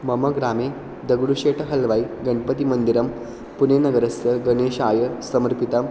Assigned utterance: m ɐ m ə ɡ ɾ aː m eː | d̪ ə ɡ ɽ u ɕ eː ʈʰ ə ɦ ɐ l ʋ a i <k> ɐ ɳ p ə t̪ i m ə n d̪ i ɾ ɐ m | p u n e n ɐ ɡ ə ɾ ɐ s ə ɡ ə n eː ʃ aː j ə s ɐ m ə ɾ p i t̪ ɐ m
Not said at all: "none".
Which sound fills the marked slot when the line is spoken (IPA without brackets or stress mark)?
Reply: ɡ